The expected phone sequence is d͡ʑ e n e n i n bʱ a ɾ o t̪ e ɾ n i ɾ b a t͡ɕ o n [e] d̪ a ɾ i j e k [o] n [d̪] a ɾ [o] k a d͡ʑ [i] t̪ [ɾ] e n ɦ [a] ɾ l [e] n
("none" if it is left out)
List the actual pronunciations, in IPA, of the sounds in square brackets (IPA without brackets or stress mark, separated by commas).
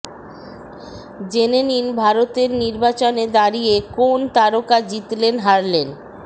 e, o, t̪, o, i, l, a, e